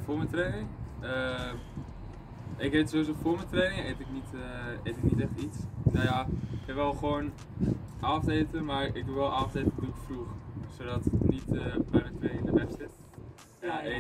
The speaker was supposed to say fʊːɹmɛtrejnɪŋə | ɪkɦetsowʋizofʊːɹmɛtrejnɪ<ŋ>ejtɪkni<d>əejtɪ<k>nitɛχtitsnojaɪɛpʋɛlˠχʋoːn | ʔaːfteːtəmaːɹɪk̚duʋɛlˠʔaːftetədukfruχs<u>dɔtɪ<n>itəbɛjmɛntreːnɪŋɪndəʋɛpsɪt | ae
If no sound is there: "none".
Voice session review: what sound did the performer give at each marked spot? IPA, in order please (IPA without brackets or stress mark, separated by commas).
ŋ, t, k, o, n